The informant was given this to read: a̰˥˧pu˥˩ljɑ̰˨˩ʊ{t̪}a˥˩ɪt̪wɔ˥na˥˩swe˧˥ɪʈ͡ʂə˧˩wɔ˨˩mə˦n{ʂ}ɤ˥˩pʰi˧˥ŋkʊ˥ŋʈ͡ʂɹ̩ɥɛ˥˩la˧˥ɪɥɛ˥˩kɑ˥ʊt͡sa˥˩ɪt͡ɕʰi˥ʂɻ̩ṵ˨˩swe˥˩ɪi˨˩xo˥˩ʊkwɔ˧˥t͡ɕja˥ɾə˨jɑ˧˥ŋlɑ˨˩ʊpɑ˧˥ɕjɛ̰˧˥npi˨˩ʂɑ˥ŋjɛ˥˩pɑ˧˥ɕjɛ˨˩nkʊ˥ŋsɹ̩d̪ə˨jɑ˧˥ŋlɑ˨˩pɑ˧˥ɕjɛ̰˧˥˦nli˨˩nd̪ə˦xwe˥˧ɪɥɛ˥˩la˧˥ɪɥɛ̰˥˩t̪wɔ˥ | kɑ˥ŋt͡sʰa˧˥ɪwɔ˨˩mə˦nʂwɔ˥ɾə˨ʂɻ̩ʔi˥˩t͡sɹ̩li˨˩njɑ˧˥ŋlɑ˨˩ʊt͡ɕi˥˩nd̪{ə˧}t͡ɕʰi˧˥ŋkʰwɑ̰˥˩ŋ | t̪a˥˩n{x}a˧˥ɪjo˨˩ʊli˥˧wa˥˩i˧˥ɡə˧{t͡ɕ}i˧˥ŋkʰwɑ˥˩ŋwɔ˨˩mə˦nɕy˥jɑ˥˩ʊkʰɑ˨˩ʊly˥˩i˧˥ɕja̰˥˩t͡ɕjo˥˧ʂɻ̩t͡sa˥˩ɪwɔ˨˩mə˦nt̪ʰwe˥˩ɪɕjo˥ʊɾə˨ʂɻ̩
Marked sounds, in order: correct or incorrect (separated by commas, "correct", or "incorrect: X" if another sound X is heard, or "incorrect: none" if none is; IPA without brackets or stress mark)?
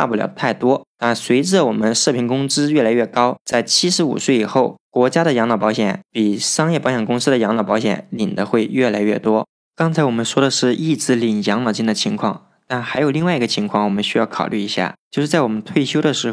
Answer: incorrect: t̪ʰ, correct, incorrect: ə˩, correct, incorrect: t͡ɕʰ